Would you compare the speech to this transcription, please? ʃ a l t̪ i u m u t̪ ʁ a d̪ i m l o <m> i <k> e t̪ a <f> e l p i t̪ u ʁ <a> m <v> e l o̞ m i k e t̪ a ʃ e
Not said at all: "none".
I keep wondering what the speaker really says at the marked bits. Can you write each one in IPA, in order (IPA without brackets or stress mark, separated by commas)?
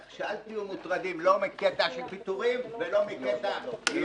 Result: m, k, ʃ, i, v